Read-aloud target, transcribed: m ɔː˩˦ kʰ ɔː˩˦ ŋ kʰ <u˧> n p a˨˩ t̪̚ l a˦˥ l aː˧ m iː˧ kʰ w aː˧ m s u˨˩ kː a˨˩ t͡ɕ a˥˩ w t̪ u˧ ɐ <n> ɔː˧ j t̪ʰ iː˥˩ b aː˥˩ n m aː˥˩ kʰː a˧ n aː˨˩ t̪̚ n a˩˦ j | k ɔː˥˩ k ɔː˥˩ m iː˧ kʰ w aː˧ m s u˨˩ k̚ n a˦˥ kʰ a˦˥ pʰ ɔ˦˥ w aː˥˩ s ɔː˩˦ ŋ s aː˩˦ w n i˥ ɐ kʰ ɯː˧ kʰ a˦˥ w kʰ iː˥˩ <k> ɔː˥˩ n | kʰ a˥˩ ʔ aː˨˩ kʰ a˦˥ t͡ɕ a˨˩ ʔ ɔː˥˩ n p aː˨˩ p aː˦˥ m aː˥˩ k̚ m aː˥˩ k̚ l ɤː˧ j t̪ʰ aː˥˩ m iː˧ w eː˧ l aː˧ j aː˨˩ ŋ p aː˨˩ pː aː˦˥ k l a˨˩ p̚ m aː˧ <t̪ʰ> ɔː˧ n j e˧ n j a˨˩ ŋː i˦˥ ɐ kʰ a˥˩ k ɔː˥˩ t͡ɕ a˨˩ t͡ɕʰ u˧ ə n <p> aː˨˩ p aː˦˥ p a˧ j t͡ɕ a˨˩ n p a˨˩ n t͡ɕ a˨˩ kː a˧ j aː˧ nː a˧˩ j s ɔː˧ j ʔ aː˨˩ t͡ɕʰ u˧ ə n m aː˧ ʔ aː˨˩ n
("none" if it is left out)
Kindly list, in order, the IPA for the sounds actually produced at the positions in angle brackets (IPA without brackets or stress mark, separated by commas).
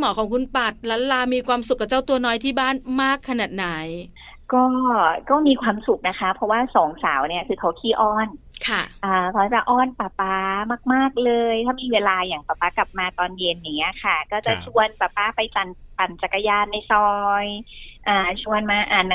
u˧, n, ʔ, t̪, p